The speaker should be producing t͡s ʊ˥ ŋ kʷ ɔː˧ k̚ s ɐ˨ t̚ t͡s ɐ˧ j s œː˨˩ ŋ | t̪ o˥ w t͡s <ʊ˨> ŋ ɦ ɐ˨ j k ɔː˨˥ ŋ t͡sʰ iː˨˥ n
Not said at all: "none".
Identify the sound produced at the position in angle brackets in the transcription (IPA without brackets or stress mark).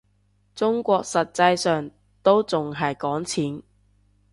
ʊ˨